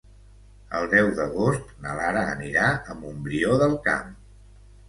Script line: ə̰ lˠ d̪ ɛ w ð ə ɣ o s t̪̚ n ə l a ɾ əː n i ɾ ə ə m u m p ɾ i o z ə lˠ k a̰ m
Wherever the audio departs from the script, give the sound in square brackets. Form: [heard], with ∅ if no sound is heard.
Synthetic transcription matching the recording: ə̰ lˠ d̪ ɛ w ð ə ɣ o s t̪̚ n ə l a ɾ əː n i ɾ [a] ə m u m [b] ɾ i o [ð] ə lˠ k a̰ m